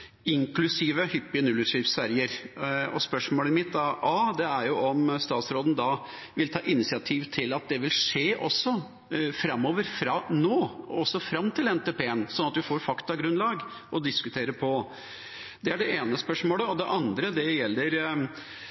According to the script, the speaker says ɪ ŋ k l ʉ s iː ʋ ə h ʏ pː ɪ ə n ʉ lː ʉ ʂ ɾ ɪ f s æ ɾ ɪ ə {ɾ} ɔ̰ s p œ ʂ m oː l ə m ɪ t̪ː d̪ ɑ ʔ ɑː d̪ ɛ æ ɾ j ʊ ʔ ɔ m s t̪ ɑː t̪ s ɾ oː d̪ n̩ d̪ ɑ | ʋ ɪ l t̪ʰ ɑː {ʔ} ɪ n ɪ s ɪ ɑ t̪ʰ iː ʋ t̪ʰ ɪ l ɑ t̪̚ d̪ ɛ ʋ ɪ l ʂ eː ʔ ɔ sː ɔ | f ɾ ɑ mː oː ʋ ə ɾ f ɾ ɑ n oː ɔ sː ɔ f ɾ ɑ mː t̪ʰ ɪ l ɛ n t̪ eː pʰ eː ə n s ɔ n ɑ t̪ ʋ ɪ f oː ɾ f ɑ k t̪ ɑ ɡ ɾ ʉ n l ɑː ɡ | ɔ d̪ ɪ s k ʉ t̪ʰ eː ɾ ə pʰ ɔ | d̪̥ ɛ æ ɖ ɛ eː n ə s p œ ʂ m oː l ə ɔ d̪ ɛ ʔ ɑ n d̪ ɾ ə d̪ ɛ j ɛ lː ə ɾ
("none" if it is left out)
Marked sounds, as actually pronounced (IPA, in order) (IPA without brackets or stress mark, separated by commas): ɾ, ʔ